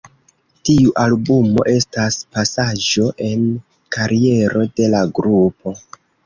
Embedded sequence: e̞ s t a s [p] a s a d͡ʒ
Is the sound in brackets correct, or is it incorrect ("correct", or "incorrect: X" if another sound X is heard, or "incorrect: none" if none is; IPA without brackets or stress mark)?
correct